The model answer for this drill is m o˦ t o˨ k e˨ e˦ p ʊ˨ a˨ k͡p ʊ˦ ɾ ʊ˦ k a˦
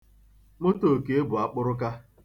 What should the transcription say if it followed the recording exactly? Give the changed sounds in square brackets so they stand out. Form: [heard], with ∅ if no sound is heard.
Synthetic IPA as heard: m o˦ t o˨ k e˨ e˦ [b] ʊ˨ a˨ k͡p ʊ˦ ɾ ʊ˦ k a˦